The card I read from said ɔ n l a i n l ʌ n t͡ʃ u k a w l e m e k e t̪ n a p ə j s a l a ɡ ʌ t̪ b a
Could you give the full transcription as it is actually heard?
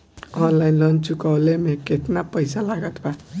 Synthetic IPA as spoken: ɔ n l a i n l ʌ n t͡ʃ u k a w l e m e k e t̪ n a p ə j s a l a ɡ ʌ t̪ b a